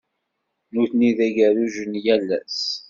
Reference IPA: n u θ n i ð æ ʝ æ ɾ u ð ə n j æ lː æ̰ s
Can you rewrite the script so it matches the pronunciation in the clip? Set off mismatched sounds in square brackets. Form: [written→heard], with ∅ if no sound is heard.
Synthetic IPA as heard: n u θ n i ð æ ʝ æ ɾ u [ð→ʒ] ə n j æ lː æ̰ s